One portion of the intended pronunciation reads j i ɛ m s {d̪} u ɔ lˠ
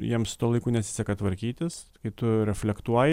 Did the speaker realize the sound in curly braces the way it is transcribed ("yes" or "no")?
no